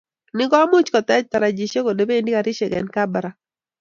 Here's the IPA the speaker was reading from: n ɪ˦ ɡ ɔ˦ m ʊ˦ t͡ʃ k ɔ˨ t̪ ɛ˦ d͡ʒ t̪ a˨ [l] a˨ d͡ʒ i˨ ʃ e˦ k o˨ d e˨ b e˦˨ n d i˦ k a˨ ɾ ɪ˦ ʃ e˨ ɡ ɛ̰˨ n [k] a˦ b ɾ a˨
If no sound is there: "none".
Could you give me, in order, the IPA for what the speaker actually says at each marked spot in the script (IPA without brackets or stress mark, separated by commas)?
ɾ, k